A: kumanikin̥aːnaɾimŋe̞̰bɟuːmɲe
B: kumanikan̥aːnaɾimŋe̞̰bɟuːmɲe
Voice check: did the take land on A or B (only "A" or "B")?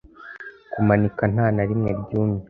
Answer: B